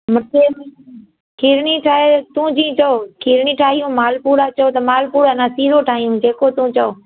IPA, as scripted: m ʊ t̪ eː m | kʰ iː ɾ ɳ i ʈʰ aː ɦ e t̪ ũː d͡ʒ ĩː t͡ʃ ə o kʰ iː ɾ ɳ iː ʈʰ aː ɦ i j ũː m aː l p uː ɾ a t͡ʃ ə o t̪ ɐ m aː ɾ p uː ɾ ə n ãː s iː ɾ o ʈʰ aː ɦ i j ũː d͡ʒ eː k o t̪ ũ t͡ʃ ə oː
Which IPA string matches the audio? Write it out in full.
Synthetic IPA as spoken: m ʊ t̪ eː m | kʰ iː ɾ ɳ i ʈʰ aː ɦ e t̪ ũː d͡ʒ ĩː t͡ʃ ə o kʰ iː ɾ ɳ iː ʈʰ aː ɦ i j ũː m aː l p uː ɾ a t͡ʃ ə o t̪ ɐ m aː l p uː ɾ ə n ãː s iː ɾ o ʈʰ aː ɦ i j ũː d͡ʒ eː k o t̪ ũ t͡ʃ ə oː